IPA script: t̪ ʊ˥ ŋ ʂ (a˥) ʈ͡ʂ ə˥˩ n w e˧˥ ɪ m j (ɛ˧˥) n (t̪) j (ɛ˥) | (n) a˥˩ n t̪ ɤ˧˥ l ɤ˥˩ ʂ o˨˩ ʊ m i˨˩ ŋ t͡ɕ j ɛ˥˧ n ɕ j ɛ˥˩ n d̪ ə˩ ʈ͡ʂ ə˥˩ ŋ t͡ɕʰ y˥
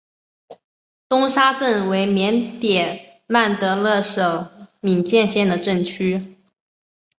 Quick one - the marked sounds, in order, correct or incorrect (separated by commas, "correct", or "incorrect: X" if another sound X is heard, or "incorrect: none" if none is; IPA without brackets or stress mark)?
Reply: correct, correct, correct, incorrect: ɛ˨˩, incorrect: m